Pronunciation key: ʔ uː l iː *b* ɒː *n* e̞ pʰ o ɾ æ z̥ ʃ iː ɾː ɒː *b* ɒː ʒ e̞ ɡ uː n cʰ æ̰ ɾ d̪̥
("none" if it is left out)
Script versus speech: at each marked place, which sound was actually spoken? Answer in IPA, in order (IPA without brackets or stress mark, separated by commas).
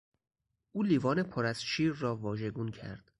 v, n, v